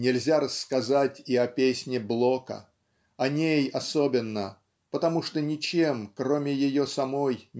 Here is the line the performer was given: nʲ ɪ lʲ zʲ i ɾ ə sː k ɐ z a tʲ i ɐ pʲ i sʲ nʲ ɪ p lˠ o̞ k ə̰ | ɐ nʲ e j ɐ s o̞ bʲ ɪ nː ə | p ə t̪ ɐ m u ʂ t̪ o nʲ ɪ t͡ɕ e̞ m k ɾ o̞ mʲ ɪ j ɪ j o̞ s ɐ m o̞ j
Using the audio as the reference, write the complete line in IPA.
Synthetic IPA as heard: nʲ ɪ lʲ zʲ a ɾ ə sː k ɐ z a tʲ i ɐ pʲ e sʲ nʲ ɪ b lˠ o̞ k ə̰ | ɐ nʲ e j ɐ s o̞ bʲ ɪ nː ə | p ə t̪ ɐ m u ʂ t̪ o nʲ ɪ t͡ɕ e̞ m k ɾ o̞ mʲ ɪ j ɪ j o̞ s ɐ m o̞ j